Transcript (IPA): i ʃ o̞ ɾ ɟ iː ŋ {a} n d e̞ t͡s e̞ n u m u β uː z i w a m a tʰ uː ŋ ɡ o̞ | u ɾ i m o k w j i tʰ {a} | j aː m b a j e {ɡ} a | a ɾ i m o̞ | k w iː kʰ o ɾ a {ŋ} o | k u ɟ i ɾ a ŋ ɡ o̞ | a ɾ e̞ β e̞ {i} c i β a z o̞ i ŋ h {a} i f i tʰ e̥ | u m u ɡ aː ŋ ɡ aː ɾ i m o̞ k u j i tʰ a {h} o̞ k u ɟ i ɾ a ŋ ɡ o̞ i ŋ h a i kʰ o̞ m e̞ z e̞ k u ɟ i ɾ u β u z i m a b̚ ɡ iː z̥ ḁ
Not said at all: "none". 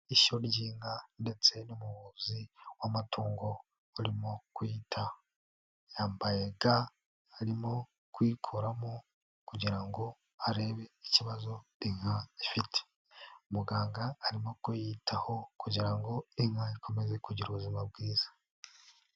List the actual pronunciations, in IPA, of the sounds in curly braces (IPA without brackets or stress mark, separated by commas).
a, a, ɡ, m, i, a, h